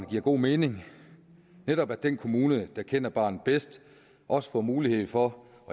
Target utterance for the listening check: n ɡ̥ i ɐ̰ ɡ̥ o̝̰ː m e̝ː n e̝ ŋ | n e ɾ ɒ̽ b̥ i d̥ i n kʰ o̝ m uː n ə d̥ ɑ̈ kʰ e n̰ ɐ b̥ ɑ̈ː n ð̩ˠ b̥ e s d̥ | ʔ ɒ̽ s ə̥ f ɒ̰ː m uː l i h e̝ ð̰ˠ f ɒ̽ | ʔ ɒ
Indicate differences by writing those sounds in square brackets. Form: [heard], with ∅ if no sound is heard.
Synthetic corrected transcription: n ɡ̥ i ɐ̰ ɡ̥ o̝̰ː m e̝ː n e̝ ŋ | n e ɾ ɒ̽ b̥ [æ] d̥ [e] n kʰ o̝ m uː n ə d̥ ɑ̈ kʰ e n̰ ɐ b̥ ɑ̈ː n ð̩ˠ b̥ e s d̥ | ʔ ɒ̽ s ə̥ f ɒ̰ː m uː l i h e̝ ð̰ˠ f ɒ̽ | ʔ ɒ